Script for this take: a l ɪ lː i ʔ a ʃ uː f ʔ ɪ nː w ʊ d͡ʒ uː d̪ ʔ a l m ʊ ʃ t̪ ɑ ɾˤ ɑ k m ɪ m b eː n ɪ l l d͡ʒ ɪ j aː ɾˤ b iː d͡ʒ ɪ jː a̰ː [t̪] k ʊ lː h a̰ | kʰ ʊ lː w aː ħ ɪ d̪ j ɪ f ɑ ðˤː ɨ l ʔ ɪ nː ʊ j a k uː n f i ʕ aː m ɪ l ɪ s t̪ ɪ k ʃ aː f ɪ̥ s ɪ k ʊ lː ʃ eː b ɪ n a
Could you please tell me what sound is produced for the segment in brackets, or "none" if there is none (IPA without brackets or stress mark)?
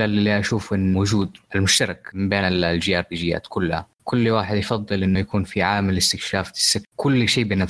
t̪